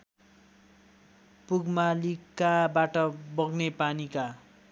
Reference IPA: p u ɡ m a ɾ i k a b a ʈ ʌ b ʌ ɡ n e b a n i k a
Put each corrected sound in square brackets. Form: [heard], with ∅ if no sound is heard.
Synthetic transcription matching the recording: p u ɡ m a [l] i k a b a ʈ ʌ b ʌ ɡ n e [p] a n i k a